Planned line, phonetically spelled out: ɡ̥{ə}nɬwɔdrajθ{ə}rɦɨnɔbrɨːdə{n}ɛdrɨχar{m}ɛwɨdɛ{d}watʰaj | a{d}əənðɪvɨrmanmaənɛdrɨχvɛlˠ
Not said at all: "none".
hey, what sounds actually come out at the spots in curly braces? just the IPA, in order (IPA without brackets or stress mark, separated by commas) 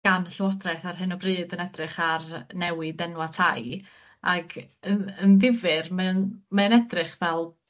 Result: a, a, n, n, n, ɡ